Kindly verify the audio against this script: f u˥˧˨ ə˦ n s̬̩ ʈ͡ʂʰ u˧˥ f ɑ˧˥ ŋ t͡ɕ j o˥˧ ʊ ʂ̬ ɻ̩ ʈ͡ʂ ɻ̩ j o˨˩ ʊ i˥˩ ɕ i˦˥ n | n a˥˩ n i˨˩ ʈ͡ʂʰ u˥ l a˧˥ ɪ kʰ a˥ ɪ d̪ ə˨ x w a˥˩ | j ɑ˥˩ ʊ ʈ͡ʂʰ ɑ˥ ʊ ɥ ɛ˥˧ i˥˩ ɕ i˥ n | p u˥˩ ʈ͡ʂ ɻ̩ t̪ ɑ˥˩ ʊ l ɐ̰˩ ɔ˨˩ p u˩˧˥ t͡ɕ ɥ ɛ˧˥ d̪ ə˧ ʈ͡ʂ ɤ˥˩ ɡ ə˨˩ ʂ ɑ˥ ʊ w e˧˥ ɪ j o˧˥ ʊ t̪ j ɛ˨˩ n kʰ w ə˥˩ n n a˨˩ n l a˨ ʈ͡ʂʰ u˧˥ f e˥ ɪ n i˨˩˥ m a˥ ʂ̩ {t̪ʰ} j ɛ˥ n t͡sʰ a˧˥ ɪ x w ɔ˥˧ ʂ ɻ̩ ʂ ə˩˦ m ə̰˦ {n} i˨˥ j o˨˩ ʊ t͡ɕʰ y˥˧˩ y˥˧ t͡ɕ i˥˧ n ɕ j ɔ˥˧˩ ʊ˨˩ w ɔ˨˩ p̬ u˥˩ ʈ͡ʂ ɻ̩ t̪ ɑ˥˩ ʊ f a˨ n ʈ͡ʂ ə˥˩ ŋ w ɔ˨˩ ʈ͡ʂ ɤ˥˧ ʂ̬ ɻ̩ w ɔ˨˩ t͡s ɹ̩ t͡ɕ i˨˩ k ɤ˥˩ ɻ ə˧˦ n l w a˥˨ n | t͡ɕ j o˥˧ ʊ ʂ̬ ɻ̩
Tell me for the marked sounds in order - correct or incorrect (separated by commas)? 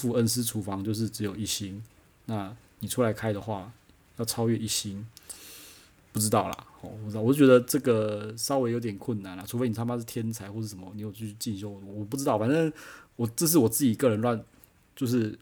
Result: correct, correct